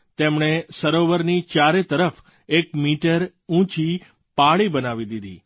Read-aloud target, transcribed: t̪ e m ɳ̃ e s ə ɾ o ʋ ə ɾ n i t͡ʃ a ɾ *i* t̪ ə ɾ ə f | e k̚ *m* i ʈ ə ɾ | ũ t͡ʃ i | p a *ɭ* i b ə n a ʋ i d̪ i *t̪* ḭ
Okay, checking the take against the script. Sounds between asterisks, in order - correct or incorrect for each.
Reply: incorrect: e, correct, correct, incorrect: d̪

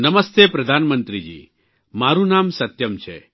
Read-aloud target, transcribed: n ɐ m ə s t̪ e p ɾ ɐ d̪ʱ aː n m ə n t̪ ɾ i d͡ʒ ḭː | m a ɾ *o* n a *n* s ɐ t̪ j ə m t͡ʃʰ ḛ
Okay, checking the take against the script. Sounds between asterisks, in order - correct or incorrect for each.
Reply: incorrect: u, incorrect: m

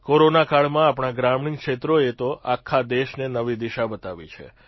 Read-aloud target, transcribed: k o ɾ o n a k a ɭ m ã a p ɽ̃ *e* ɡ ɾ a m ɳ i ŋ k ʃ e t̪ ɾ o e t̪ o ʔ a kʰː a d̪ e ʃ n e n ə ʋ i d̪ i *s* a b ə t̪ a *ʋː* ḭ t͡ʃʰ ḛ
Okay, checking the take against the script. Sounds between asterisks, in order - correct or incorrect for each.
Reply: incorrect: a, incorrect: ʃ, incorrect: ʋ

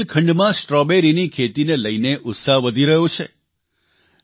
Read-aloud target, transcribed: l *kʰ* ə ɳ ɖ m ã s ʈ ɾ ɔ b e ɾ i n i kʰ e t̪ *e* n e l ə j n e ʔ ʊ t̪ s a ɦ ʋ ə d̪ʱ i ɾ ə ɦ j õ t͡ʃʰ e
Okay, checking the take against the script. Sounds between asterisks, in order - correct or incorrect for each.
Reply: correct, incorrect: i

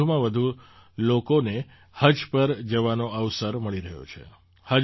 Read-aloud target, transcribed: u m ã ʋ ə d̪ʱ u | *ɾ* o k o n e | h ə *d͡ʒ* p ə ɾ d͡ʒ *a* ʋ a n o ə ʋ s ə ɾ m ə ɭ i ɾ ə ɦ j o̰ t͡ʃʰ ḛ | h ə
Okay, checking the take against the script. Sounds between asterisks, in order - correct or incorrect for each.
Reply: incorrect: l, correct, incorrect: ə

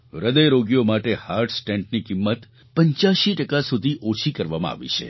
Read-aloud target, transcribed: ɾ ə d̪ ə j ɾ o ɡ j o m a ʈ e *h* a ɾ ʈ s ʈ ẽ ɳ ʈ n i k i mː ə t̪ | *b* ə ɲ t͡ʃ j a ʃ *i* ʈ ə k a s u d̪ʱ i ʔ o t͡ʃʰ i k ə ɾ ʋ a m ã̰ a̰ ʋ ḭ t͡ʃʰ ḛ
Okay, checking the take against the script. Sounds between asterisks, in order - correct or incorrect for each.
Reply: correct, incorrect: p, correct

